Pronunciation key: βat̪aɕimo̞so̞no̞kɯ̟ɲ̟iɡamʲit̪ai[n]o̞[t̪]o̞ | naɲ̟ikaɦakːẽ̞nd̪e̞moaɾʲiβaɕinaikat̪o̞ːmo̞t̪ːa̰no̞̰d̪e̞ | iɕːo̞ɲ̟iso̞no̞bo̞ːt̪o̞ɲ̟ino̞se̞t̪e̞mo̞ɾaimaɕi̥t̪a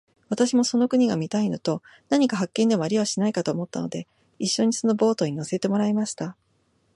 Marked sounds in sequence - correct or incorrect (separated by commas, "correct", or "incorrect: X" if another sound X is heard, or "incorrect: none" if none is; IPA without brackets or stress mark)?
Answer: correct, correct